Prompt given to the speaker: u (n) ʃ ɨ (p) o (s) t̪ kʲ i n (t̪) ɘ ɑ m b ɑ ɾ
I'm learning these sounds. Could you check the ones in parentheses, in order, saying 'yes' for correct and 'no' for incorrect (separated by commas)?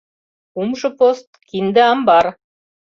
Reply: no, yes, yes, no